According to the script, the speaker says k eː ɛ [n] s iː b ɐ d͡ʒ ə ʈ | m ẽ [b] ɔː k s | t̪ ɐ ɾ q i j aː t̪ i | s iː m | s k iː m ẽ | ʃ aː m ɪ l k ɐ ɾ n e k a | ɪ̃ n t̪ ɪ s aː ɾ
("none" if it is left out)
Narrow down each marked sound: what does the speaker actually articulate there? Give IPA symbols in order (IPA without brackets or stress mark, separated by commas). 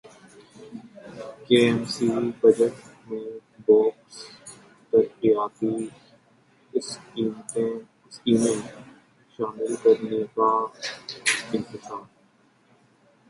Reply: m, b